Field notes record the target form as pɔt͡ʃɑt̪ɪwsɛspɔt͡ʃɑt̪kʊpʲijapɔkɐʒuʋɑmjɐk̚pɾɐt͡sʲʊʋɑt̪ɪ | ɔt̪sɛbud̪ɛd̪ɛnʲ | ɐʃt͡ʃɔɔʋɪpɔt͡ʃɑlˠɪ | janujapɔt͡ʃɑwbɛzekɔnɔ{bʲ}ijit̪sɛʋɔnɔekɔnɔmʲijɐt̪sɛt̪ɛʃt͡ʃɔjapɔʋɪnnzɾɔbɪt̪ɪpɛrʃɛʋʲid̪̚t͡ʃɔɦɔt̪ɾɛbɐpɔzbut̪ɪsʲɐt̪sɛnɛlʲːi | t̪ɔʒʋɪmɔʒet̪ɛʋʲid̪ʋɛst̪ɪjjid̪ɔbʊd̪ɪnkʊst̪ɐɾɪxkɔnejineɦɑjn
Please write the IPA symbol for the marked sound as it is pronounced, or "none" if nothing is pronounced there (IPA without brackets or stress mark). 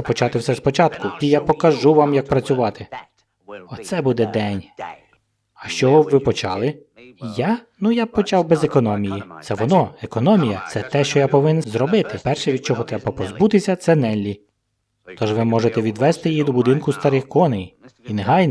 mʲ